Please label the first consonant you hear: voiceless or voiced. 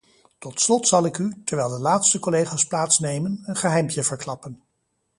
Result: voiceless